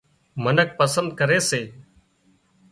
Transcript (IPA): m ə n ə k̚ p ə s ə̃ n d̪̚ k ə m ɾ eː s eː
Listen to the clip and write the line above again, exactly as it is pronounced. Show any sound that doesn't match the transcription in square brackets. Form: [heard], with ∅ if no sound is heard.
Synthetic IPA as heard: m ə n ə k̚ p ə s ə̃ n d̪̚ k ə [∅] ɾ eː s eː